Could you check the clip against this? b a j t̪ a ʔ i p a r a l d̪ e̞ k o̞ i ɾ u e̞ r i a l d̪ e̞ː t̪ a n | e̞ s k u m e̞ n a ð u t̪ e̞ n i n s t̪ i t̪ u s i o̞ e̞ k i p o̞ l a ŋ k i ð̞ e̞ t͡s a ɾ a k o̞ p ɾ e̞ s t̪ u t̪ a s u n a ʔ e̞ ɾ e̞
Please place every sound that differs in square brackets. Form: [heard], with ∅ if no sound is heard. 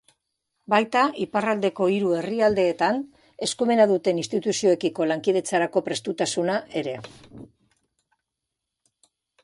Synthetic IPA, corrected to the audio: b a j t̪ a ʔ i p a r a l d̪ e̞ k o̞ i ɾ u e̞ r i a l d̪ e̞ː t̪ a n | e̞ s k u m e̞ n a ð u t̪ e̞ n i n s t̪ i t̪ u s i o̞ e̞ k i [k] o̞ l a ŋ k i ð̞ e̞ t͡s a ɾ a k o̞ p ɾ e̞ s t̪ u t̪ a s u n a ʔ e̞ ɾ e̞